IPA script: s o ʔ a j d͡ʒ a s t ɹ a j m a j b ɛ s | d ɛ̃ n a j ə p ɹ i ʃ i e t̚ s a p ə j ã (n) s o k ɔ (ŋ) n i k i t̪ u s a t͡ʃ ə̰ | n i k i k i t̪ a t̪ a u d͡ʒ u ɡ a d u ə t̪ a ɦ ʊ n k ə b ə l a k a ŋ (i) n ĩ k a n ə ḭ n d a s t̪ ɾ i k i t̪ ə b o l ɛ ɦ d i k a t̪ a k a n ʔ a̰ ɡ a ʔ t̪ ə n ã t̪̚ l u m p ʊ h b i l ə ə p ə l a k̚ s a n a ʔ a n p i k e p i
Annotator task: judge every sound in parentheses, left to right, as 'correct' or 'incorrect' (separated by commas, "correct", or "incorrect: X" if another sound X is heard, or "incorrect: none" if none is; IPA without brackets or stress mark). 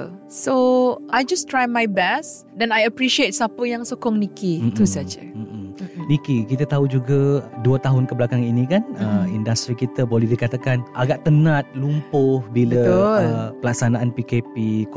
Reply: incorrect: ŋ, correct, correct